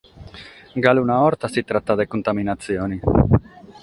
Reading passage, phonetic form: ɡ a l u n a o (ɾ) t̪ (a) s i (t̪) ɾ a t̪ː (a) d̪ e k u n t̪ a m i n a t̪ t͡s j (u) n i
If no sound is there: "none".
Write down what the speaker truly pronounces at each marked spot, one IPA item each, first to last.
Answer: ɾ, a, t̪, a, o

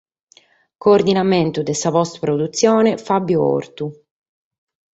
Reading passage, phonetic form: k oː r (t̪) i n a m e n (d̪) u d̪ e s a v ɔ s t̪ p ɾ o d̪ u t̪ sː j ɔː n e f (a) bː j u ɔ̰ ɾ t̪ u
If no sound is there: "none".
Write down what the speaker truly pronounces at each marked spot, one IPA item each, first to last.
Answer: d̪, t̪, a

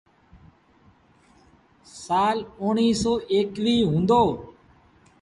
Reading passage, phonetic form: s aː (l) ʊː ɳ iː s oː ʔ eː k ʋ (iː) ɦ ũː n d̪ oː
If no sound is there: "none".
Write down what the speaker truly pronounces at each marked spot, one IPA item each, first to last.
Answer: l, iː

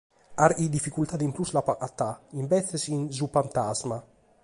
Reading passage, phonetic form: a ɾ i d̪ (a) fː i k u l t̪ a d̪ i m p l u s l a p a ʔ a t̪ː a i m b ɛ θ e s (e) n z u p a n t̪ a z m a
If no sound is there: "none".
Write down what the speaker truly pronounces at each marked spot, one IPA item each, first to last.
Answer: i, i

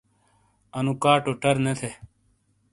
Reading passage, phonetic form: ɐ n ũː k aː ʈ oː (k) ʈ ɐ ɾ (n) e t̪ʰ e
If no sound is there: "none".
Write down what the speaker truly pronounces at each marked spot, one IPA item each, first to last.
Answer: none, n

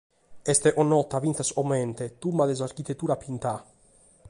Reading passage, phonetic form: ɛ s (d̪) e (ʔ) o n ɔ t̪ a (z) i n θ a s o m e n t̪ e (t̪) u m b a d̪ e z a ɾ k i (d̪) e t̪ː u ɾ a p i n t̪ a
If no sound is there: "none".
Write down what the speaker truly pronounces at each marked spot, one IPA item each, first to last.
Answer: t̪, ʔ, v, t̪, t̪

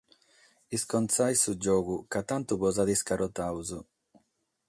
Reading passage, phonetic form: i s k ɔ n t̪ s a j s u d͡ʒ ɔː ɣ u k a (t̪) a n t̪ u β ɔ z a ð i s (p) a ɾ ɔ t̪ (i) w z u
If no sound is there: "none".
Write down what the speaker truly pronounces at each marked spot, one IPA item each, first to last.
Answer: t̪, k, a

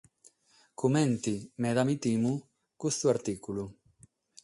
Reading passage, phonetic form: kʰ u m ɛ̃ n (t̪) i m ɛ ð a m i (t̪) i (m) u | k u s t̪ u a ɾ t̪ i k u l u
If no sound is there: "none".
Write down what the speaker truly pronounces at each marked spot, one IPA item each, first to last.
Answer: t̪, t̪, m

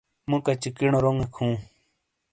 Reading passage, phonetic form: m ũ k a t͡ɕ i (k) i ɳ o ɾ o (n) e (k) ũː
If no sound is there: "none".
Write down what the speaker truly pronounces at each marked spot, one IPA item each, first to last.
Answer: k, ŋ, kʰ

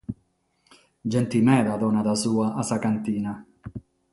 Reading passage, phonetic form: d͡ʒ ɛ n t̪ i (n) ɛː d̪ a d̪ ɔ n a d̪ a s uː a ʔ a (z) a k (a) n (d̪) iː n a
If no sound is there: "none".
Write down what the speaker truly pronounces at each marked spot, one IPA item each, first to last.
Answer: m, s, a, t̪

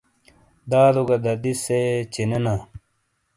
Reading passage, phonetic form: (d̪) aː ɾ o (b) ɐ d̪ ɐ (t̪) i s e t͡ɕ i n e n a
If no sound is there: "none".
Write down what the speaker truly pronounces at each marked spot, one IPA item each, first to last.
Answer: d̪, ɡ, d̪

